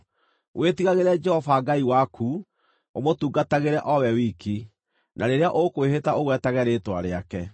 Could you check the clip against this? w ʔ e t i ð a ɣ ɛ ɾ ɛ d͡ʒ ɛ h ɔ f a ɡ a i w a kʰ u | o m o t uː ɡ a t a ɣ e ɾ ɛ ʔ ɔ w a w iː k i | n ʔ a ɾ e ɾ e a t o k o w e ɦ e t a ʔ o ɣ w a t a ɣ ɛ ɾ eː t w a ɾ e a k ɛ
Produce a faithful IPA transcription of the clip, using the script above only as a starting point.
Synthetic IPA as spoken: w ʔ e t i ɣ a ɣ e ɾ ɛ d͡ʒ ɛ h ɔ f a ɡ a i w a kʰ u | o m o t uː ɡ a t a ɣ e ɾ ɛ ʔ ɔ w ɛ w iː k i | n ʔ a ɾ e ɾ e a ʔ o k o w e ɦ e t a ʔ o ɣ w ɛ t a ɣ ɛ ɾ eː t w a ɾ e a k ɛ

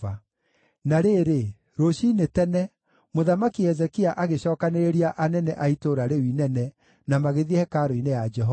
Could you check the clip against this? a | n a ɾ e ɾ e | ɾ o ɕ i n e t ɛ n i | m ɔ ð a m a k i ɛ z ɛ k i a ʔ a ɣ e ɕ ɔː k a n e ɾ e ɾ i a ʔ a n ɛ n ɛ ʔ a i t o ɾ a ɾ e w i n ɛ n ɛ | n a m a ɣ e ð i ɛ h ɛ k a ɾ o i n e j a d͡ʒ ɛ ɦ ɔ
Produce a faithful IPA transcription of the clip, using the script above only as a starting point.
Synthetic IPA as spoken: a | n a ɾ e ɾ e | ɾ o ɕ i n e t ɛ n ɛ | m o ð a m a k i ɛ z ɛ k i a ʔ a ɣ e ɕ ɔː k a n e ɾ e ɾ i a ʔ a n ɛ n ɛ ʔ a i t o ɾ a ɾ e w i n ɛ n ɛ | n a m a ɣ e ð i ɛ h ɛ k a ɾ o i n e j a d͡ʒ ɛ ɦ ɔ

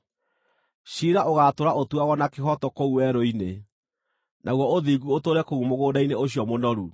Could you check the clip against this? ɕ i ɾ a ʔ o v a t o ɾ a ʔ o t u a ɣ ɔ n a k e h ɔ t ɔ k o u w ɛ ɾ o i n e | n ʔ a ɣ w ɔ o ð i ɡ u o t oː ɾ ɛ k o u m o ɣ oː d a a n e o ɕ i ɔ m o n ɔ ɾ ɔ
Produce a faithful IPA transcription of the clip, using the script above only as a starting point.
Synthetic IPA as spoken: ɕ i ɾ a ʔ o ɣ a t o ɾ a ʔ o t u a ɣ ɔ n a k e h ɔ t ɔ k o u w ɛ ɾ o i n e | n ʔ a ɣ w ɔ o ð i ɡ u o t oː ɾ ɛ k o u m o ɣ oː d a i n e o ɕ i ɔ m o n ɔ ɾ u

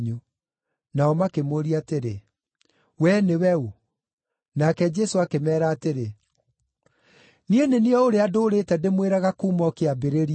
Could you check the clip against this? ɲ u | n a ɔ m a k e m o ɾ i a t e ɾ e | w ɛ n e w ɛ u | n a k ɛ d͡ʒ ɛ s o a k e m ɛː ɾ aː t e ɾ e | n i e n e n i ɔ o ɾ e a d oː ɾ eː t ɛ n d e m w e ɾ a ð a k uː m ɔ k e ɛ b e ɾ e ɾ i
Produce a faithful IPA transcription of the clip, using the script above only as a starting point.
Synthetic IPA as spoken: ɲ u | n a ɔ m a k e m o ɾ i a t e ɾ e | w ɛ n e w ɛ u | n a k ɛ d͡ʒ ɛ s o a k e m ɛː ɾ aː t e ɾ e | n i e n e n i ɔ o ɾ e a d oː ɾ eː t ɛ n d e m w e ɾ a ɣ a k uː m ɔ k e a b e ɾ e ɾ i

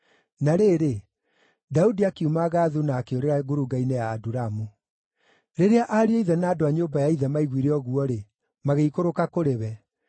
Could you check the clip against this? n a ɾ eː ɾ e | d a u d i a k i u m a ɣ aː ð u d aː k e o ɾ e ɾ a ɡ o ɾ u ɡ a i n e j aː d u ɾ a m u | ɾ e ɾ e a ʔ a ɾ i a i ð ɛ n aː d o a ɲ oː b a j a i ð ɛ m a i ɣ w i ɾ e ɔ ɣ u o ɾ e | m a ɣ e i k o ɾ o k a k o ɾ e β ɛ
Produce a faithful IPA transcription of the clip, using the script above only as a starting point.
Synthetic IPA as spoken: n a ɾ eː ɾ e | d a u d i a k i u m a ɣ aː ð u n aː k e o ɾ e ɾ a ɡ o ɾ u ɡ a i n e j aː d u ɾ a m u | ɾ e ɾ e a ʔ a ɾ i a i ð ɛ n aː d o a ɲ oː b a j a i ð ɛ m a i ɣ w i ɾ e ɔ ɣ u ɔ ɾ e | m a ɣ e i k o ɾ o k a k o ɾ e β ɛ

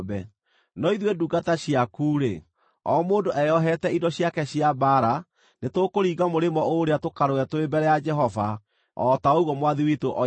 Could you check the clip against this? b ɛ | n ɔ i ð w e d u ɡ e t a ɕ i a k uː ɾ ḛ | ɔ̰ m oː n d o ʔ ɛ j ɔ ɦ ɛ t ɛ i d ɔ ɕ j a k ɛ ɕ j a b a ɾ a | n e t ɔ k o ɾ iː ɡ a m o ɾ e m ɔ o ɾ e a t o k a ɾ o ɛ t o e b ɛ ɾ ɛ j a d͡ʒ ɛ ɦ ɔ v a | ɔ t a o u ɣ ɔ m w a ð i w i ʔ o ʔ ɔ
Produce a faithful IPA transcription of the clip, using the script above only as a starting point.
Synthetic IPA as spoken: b ɛ | n ɔ i ð w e d u ɡ a t a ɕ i a k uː ɾ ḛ | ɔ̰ m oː n d o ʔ ɛ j ɔ ɦ ɛ t ɛ i d ɔ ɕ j a k ɛ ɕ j a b a ɾ a | n e t o k o ɾ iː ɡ a m o ɾ e m ɔ o ɾ e a t o k a ɾ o ɛ t o e b ɛ ɾ ɛ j a d͡ʒ ɛ ɦ ɔ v a | ɔ t a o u ɣ ɔ m w a ð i w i t o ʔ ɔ

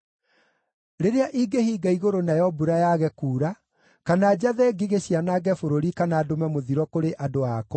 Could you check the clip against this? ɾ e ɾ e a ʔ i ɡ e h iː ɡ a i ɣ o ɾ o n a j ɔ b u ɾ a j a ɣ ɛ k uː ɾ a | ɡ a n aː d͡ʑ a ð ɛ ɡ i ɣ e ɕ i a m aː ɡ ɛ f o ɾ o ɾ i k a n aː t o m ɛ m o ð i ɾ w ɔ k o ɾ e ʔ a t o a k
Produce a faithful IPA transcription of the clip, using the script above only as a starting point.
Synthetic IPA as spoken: ɾ e ɾ e a ʔ i ɡ e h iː ɡ a i ɣ o ɾ o n a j ɔ b u ɾ a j a ɣ ɛ k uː ɾ a | k a n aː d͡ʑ a ð ɛ ɡ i ɣ e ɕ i a n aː ɡ ɛ f o ɾ o ɾ i k a n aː d o m ɛ m o ð i ɾ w ɔ k o ɾ e ʔ a d o a k

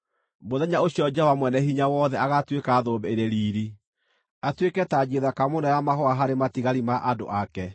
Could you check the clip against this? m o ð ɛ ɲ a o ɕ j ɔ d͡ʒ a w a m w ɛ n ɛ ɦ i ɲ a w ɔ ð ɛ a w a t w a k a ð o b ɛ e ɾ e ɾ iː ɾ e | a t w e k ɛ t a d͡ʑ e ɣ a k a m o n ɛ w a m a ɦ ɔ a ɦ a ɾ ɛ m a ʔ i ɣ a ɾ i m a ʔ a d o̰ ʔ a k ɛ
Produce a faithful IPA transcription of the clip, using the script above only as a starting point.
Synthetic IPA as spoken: m o ð ɛ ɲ a o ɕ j ɔ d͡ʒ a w a m w ɛ n ɛ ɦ i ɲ a w ɔ ð ɛ a ɣ a t w e k a ð o b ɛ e ɾ e ɾ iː ɾ i | a t w e k ɛ t a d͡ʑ e ð a k a m o n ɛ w a m a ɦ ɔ a ɦ a ɾ e m a t i ɣ a ɾ i m a ʔ a d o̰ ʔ a k ɛ

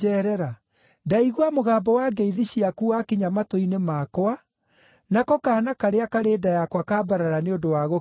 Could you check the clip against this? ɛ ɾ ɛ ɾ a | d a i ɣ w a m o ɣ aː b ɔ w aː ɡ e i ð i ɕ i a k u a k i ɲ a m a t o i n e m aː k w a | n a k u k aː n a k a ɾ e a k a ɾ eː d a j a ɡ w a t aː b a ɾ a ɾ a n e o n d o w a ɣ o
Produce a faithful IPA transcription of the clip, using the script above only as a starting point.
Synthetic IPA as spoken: ɛ ɾ ɛ ɾ a | d a i ɣ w a m o ɣ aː b ɔ w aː ɡ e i ð i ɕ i a k u a k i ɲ a m a t o i n e m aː k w a | n a k ɔ k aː n a k a ɾ e a k a ɾ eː d a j a k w a k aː b a ɾ a ɾ a n e o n d o w a ɣ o

